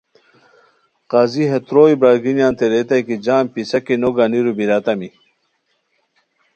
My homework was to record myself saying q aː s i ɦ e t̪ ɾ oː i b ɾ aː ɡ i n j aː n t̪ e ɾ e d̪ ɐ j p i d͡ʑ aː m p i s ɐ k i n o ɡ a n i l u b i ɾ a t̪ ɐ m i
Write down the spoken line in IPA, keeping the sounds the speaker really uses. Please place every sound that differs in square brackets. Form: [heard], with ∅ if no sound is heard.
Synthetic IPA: q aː [z] i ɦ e t̪ ɾ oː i b ɾ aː ɡ i n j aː n t̪ e ɾ e [t̪] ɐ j [k] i d͡ʑ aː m p i s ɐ k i n o ɡ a n i [ɾ] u b i ɾ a t̪ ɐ m i

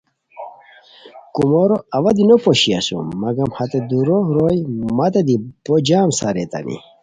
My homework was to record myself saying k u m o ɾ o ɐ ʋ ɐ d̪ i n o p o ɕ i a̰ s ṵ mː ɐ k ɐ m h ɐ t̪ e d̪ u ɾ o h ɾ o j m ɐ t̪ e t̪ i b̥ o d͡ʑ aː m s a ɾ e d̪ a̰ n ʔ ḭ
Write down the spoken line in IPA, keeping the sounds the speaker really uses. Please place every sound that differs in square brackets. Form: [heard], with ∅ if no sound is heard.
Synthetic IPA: k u m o ɾ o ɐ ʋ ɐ d̪ i n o p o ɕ i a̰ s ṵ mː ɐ [ɡ] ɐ m h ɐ t̪ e d̪ u ɾ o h ɾ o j m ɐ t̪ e [d̪] i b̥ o d͡ʑ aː m s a ɾ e [t̪] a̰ n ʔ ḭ

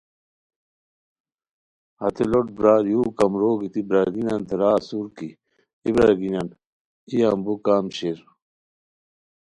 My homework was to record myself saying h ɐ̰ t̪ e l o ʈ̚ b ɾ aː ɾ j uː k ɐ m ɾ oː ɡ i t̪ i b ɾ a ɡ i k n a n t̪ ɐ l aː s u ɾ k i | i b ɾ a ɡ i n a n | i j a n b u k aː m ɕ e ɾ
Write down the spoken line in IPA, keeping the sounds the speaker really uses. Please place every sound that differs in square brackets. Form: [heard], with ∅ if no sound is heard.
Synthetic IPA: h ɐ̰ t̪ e l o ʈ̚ b ɾ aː ɾ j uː k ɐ m ɾ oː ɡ i t̪ i b ɾ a ɡ i [∅] n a n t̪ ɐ [ɾ] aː s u ɾ k i | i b ɾ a ɡ i n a n | i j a [m] b u k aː m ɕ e ɾ

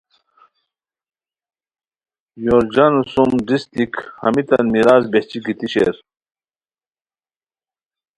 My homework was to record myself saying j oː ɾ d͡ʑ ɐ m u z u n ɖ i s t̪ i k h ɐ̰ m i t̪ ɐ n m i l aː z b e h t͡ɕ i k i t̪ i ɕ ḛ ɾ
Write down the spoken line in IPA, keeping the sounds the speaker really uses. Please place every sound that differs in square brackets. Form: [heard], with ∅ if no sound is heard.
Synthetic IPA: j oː ɾ d͡ʑ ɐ [n] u [s] u [m] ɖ i s t̪ i k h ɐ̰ m i t̪ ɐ n m i [ɾ] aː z b e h t͡ɕ i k i t̪ i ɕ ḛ ɾ

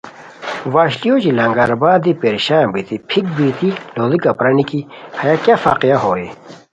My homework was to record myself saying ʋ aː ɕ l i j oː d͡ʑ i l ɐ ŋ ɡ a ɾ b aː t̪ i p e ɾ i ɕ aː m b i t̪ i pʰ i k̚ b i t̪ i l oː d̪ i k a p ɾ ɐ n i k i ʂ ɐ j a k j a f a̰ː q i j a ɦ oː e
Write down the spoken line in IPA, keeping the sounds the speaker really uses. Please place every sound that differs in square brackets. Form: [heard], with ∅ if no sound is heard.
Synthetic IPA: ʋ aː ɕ l i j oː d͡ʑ i l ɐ ŋ ɡ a ɾ b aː [d̪] i p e ɾ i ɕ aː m b i t̪ i pʰ i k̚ b i t̪ i l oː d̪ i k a p ɾ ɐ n i k i [h] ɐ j a k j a f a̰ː q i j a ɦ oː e

